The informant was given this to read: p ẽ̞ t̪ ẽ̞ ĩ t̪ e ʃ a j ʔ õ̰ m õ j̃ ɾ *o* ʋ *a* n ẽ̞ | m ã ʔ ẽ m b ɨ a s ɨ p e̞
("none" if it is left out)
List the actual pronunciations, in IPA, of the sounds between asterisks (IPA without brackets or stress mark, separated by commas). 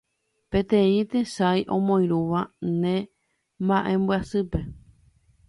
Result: u, a